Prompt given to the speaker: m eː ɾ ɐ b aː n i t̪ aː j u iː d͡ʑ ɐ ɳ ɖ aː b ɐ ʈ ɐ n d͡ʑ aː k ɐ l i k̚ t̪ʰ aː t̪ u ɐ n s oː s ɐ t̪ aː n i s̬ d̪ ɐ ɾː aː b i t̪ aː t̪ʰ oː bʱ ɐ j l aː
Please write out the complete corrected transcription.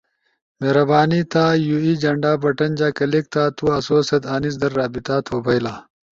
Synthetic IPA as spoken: m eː ɾ ɐ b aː n i t̪ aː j u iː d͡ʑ ɐ ɳ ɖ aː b ɐ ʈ ɐ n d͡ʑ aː k ɐ l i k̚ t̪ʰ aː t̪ u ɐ s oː s ɐ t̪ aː n i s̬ d̪ ɐ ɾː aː b i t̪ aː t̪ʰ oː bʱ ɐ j l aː